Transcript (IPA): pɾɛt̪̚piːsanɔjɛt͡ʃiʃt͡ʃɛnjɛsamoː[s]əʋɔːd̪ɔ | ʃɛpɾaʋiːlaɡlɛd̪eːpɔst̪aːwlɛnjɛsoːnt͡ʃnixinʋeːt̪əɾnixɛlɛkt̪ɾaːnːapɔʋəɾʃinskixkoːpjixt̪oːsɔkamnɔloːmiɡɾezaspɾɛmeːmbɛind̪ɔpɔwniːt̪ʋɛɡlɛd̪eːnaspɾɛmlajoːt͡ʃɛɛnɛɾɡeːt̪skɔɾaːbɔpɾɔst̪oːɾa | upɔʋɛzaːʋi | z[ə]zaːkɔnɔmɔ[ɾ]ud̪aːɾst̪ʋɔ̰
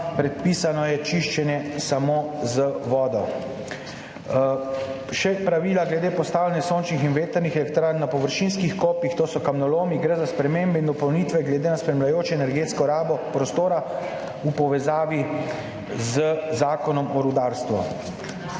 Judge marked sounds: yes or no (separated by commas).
no, yes, yes